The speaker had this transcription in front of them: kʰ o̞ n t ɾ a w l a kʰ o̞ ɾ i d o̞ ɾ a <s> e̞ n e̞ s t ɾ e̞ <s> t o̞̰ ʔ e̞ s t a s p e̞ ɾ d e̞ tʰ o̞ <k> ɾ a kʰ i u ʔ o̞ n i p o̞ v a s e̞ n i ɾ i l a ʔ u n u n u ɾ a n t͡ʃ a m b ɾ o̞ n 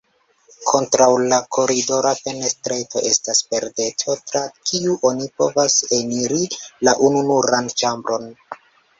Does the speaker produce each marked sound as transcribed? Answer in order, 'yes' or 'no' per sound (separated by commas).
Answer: no, no, no